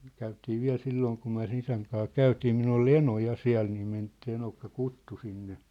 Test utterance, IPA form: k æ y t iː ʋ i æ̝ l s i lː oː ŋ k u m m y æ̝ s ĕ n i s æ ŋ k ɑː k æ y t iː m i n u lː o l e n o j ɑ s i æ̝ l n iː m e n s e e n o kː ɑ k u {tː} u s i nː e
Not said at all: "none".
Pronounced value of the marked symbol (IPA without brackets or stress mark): tː